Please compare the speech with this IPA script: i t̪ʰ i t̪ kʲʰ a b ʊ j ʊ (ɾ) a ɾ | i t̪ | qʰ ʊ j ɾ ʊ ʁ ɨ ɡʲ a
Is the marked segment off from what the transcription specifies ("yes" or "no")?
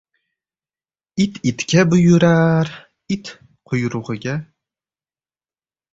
no